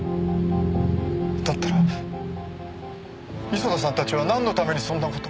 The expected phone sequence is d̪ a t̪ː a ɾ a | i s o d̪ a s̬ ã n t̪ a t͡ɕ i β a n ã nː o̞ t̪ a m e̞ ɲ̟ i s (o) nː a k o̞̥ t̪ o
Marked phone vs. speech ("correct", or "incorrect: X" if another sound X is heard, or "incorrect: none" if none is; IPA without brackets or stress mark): incorrect: õ